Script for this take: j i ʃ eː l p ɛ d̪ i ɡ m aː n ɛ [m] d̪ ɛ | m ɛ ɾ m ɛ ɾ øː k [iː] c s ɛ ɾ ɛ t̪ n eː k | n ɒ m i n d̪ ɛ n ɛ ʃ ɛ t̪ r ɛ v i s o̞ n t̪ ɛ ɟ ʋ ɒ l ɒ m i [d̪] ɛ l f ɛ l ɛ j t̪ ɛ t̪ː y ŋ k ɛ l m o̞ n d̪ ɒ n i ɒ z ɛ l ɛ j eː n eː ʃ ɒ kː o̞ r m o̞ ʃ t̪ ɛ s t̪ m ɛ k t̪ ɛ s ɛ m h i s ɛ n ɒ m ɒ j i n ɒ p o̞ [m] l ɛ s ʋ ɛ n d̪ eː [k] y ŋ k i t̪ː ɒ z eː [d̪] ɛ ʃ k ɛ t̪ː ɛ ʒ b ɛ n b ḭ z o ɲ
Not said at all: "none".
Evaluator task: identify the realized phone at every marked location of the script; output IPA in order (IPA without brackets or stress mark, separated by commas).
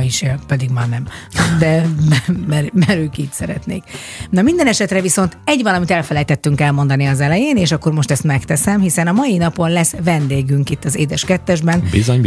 m, iː, t̪, n, ɡ, d̪